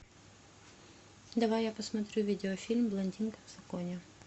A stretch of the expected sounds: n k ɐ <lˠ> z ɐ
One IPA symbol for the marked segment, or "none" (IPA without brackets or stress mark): none